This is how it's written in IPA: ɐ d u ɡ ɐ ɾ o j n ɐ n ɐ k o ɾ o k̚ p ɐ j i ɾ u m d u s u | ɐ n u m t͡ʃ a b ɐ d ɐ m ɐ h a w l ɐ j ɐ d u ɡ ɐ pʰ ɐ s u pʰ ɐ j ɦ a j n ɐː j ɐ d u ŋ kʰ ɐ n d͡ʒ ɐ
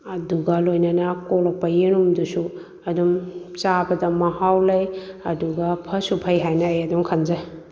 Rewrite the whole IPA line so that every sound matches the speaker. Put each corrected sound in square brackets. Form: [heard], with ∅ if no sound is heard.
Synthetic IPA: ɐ d u ɡ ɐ [l] o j n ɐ n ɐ k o [l] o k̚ p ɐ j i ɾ u m d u s u | ɐ [d] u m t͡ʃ a b ɐ d ɐ m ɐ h a w l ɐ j ɐ d u ɡ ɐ pʰ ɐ s u pʰ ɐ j ɦ a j n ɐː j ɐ d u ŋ kʰ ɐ n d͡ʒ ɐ